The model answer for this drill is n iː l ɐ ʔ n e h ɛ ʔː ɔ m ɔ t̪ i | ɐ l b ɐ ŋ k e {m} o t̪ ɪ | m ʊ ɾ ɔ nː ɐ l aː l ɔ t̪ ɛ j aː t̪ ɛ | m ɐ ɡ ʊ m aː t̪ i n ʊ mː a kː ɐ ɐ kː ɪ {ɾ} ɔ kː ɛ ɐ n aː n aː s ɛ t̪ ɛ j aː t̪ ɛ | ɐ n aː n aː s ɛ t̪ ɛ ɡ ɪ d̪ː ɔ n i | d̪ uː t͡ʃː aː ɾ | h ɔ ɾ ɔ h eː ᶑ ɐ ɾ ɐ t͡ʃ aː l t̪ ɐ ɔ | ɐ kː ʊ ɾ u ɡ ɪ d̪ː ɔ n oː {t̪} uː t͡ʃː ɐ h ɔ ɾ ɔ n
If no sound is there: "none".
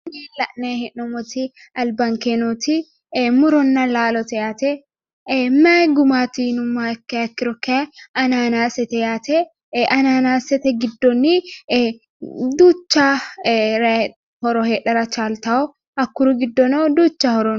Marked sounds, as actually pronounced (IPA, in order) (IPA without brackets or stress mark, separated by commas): n, ɾ, d̪